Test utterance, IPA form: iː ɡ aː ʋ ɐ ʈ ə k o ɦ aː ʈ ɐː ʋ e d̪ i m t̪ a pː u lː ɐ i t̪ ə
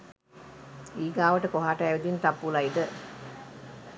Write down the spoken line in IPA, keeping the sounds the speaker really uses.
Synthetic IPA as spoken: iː ɡ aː ʋ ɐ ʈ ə k o ɦ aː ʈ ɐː ʋ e d̪ i n t̪ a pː u l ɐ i d̪ ə